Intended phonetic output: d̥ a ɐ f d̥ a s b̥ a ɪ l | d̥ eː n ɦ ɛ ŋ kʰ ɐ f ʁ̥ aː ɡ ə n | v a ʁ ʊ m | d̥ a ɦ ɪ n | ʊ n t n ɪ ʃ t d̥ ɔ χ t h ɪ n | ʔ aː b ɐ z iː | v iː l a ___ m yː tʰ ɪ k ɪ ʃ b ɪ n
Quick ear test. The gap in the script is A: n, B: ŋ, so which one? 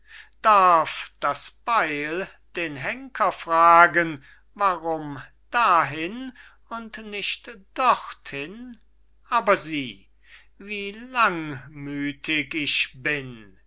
B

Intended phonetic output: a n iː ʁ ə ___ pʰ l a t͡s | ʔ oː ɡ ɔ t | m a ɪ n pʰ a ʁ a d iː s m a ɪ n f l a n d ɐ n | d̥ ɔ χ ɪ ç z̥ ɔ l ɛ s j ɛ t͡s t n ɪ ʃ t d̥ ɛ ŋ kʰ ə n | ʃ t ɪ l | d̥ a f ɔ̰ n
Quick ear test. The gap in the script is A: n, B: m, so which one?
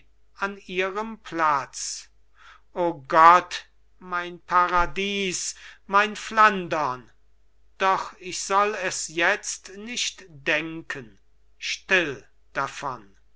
B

